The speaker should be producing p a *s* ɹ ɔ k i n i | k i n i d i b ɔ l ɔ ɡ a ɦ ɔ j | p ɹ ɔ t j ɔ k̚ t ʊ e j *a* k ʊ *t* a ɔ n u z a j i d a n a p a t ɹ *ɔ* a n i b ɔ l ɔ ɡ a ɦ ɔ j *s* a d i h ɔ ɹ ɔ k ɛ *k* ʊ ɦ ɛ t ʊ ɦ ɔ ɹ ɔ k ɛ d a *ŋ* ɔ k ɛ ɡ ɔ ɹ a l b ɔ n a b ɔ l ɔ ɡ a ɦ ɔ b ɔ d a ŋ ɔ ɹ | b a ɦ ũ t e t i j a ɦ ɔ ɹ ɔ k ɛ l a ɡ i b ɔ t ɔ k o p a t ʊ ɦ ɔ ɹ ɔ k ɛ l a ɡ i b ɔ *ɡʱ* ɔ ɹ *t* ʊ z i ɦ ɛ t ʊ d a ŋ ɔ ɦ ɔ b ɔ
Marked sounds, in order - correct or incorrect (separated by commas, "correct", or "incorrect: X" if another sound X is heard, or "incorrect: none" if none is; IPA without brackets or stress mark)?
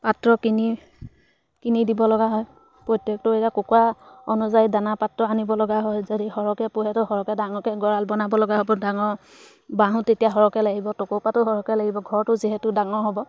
incorrect: t, correct, incorrect: k, correct, incorrect: z, incorrect: p, correct, correct, correct